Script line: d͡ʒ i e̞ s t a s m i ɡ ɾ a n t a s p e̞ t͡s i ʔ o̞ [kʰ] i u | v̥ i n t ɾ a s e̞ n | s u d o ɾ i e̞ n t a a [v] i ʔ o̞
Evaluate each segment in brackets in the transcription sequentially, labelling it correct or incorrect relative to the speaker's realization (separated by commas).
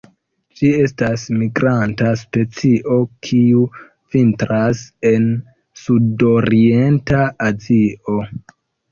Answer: correct, incorrect